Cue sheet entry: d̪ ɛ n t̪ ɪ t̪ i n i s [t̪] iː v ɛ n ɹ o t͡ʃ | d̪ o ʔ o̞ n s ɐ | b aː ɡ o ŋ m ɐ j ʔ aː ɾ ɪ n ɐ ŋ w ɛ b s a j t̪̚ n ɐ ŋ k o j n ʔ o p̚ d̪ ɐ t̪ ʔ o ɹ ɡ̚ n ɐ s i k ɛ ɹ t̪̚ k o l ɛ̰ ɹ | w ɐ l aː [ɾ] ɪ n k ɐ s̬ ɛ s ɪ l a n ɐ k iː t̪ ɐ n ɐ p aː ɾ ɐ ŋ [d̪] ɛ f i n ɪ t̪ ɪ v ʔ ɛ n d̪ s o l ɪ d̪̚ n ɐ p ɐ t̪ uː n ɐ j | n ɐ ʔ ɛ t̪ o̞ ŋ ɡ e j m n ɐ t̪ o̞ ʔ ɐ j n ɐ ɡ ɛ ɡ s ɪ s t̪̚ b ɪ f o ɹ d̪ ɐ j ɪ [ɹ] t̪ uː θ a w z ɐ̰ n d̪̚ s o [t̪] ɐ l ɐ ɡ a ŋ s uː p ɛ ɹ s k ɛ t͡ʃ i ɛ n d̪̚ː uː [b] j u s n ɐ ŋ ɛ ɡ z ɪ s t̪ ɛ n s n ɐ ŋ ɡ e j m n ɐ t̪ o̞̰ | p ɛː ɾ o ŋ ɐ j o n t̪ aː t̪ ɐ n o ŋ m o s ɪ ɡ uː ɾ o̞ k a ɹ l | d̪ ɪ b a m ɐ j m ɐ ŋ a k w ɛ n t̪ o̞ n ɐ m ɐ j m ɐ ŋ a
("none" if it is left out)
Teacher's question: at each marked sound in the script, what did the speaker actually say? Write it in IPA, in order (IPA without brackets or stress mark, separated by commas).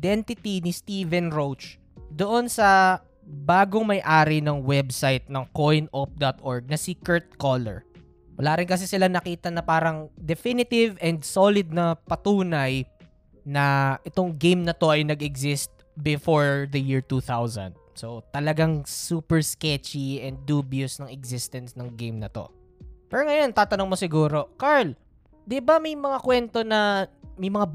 t̪, ɾ, d̪, ɹ, t̪, b